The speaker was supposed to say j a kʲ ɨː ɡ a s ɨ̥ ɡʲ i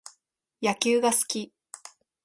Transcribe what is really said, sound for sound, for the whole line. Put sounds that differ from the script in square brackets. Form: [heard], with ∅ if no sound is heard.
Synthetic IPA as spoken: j a kʲ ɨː ɡ a s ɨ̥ [kʲ] i